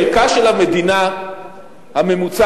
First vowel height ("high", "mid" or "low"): low